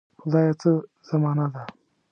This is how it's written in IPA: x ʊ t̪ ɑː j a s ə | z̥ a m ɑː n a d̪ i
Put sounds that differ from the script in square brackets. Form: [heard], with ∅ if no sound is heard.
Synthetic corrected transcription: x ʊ [d̪] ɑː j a [t͡s] ə | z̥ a m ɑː n a d̪ [a]